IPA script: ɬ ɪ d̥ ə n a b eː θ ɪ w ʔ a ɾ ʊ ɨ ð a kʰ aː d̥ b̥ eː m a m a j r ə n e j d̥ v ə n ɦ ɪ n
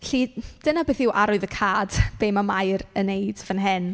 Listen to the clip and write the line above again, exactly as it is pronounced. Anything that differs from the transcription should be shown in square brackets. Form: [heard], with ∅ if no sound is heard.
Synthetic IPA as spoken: ɬ [i] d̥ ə n a b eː θ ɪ w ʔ a ɾ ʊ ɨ ð [ə] kʰ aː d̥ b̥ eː m a m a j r ə n e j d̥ v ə n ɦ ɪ n